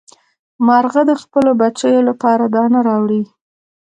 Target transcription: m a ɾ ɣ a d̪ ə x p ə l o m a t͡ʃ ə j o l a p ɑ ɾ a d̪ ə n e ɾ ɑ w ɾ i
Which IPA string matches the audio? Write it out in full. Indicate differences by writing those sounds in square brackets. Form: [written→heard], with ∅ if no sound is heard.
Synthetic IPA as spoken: m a ɾ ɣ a d̪ ə x p ə l o [m→b] a t͡ʃ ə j o l a p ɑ ɾ a d̪ [ə→ɑ] n [e→a] ɾ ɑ w [ɾ→ɽ] i